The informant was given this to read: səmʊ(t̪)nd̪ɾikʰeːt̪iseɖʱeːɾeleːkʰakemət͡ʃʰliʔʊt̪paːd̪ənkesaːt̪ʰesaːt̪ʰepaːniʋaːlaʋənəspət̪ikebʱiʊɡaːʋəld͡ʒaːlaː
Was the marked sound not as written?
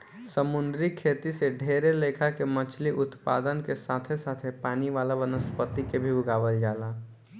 yes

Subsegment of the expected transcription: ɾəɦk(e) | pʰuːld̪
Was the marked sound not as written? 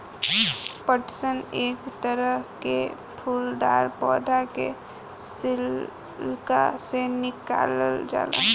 no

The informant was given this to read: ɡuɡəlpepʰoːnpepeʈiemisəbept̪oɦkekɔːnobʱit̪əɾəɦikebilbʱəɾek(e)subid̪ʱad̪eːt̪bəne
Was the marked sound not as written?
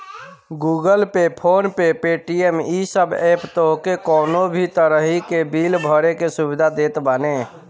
no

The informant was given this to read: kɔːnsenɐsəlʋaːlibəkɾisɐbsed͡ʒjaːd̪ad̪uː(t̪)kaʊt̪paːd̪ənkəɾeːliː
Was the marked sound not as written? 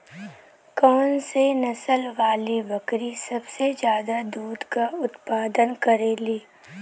yes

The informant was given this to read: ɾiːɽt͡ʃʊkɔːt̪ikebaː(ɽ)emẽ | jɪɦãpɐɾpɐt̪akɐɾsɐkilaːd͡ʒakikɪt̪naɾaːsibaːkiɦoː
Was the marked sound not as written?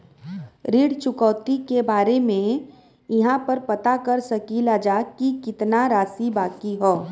yes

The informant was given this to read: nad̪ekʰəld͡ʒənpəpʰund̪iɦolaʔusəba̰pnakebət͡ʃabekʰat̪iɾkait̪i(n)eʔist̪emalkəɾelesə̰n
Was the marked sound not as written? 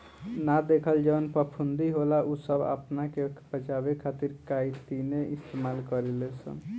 no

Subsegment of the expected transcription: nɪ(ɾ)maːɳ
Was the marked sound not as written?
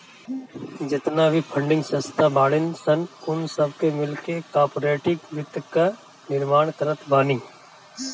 no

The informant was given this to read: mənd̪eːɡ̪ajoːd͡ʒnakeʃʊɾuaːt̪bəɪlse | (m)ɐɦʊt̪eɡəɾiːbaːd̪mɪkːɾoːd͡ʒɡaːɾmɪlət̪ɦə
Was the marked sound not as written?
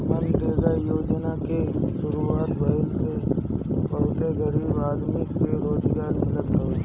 yes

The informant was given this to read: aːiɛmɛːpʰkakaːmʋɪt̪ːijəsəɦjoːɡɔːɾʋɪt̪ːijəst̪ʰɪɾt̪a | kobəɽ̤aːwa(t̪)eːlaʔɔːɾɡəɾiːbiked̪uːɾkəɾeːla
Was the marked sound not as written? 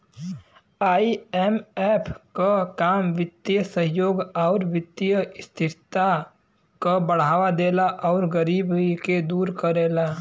yes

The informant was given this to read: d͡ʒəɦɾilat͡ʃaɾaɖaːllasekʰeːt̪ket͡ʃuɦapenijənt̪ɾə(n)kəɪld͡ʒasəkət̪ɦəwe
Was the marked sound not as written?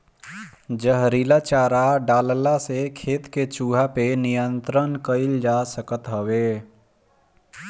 no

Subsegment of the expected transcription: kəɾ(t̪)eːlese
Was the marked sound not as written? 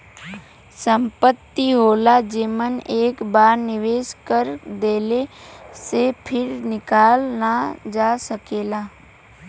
yes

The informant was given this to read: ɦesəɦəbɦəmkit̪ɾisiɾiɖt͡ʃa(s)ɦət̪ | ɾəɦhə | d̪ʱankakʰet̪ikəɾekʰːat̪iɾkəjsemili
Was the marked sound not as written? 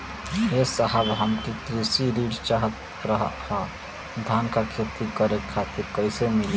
yes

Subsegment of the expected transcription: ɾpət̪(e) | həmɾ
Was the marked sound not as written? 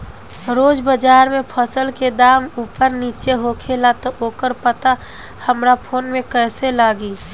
yes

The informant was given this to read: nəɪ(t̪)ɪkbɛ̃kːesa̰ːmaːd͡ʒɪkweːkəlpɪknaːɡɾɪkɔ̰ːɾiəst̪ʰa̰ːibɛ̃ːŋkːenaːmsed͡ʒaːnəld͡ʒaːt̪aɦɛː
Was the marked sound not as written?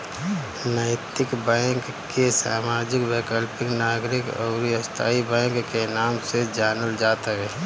no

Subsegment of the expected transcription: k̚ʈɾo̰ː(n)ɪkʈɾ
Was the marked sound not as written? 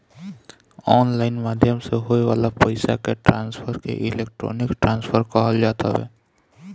no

